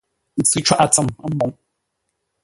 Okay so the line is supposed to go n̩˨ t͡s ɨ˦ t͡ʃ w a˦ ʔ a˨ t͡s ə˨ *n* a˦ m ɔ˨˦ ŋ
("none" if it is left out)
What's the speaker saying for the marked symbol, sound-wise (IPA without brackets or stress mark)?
m